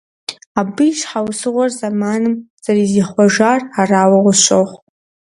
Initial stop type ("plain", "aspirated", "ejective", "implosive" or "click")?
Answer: plain